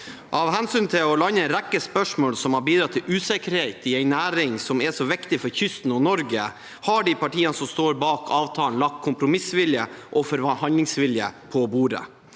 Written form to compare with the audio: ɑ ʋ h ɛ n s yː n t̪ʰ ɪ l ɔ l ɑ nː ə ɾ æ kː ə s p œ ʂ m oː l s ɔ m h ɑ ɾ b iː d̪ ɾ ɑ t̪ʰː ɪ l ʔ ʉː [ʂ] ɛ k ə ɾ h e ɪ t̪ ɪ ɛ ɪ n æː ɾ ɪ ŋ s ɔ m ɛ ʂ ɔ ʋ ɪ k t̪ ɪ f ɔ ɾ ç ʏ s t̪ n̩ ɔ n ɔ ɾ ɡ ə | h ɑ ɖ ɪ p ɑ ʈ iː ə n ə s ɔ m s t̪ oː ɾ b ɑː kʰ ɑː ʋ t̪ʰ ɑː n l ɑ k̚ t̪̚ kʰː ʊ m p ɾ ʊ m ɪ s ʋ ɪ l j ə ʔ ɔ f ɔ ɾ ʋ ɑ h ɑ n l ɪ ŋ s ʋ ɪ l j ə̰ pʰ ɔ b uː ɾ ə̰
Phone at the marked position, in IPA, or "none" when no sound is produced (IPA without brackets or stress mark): s